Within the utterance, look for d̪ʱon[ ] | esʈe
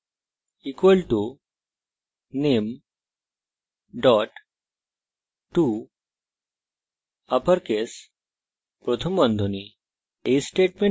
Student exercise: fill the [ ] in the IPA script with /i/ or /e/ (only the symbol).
i